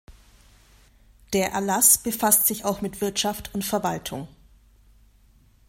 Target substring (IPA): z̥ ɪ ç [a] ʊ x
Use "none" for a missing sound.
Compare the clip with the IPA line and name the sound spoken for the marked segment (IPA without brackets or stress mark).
a